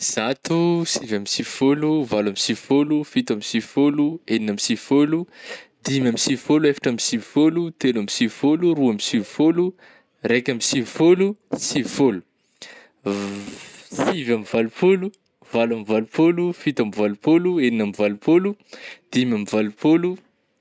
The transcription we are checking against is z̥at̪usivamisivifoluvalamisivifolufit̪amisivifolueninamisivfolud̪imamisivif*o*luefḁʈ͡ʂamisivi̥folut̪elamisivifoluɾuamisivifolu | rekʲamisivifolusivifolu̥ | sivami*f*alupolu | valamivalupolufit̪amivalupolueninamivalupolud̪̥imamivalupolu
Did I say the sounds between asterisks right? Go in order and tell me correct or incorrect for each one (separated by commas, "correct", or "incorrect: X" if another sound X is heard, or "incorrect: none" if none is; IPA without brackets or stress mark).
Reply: correct, incorrect: v